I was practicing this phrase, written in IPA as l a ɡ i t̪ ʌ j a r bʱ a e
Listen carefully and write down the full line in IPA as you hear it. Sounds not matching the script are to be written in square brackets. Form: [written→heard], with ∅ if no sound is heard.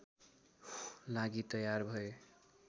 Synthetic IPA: l a ɡ i t̪ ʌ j a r bʱ [a→ʌ] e